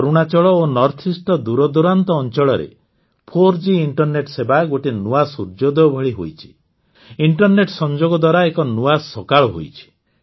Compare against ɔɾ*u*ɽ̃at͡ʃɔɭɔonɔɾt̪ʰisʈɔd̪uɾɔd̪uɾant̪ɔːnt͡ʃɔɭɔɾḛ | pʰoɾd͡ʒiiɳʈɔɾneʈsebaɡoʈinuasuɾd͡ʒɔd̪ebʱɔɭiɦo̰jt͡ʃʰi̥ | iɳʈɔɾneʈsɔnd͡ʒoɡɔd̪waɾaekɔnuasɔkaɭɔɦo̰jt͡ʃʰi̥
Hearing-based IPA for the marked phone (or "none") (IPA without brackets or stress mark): u